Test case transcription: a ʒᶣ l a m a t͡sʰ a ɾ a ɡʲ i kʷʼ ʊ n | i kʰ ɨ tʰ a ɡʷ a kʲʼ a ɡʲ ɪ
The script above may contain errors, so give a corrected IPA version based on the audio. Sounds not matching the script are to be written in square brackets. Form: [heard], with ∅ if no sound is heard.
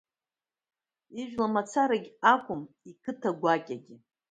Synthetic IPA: [i] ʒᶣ l a m a t͡sʰ a ɾ a ɡʲ [a] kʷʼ ʊ [m] | i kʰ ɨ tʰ a ɡʷ a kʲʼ a ɡʲ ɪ